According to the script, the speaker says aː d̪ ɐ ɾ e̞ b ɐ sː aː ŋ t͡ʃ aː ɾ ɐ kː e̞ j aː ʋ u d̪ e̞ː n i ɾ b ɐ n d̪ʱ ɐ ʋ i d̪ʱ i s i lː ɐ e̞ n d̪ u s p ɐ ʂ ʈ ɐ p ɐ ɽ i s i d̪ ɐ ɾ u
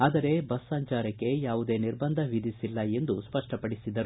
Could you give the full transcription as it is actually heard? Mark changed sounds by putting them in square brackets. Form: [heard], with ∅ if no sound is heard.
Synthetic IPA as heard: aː d̪ ɐ ɾ e̞ b ɐ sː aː [ɲ] t͡ʃ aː ɾ ɐ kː e̞ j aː ʋ u d̪ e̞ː n i ɾ b ɐ n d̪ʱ ɐ ʋ i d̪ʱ i s i lː ɐ e̞ n d̪ u s p ɐ ʂ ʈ ɐ p ɐ ɽ i s i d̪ ɐ ɾ u